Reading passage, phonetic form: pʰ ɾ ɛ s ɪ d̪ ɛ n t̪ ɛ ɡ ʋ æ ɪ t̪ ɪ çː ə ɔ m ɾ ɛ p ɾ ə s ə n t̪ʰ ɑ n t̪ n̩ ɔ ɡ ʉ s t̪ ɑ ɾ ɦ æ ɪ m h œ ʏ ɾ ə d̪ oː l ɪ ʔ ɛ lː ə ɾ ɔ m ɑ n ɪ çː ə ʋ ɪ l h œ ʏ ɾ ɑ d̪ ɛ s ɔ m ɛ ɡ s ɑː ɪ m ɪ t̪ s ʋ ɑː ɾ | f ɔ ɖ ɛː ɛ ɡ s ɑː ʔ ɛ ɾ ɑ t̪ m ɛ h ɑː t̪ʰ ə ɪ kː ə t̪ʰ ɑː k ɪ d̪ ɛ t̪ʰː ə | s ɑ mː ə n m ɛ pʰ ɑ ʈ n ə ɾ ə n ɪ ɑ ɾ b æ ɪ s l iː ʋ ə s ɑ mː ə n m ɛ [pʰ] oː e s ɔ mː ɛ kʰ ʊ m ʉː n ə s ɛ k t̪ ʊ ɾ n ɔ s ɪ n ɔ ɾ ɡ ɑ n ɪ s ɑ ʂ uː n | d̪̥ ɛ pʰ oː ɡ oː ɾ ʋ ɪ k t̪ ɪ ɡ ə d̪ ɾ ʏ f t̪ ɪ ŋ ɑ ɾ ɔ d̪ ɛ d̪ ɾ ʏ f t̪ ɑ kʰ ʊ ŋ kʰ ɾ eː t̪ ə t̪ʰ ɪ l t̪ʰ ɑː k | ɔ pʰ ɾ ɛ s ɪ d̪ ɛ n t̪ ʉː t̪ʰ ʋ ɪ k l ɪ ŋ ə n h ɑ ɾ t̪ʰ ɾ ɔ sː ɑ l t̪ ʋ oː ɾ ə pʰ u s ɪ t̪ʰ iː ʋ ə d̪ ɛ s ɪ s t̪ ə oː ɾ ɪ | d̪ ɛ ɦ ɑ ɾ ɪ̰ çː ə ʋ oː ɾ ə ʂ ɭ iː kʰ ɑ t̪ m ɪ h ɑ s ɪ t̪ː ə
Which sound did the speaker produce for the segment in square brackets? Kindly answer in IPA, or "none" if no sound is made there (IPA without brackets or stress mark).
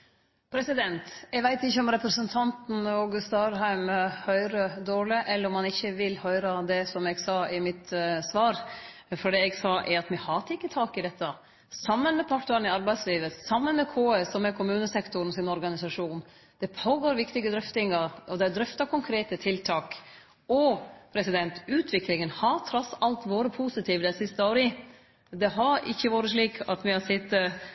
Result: kʰ